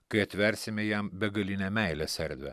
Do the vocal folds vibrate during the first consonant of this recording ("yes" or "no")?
no